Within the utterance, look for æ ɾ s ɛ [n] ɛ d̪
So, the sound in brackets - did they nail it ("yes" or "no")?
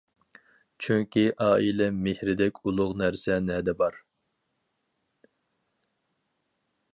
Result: yes